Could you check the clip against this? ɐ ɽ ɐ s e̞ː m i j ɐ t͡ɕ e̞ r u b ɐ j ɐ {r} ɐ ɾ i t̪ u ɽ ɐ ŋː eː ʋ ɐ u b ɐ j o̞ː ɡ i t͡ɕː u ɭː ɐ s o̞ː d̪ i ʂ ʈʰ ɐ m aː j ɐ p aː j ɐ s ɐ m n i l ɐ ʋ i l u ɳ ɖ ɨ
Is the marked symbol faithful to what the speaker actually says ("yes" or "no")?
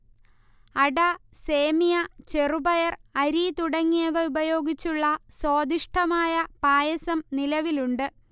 yes